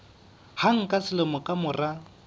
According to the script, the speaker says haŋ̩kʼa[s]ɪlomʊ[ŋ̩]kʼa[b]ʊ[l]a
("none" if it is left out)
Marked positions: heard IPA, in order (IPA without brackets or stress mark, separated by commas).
s, none, m, r